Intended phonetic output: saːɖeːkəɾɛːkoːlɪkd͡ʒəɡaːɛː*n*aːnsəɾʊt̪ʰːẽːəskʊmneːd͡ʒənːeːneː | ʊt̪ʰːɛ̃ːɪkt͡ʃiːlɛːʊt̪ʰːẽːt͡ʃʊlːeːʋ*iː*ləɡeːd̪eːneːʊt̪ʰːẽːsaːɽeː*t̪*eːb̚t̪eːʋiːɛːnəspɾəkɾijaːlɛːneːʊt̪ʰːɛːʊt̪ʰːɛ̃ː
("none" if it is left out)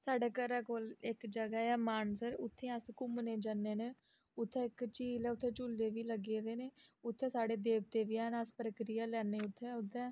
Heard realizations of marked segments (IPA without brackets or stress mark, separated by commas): m, iː, d̪